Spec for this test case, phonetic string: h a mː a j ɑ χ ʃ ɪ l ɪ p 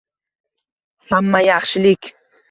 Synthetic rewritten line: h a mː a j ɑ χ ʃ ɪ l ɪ k